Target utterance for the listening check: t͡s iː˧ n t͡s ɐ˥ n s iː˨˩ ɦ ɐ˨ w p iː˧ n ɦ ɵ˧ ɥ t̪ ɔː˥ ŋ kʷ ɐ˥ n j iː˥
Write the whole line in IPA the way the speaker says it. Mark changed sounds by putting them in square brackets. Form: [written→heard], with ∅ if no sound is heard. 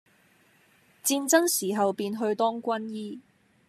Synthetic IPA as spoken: t͡s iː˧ n t͡s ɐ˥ [n→ŋ] s iː˨˩ ɦ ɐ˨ w p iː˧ n ɦ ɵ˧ ɥ t̪ ɔː˥ ŋ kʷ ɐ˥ n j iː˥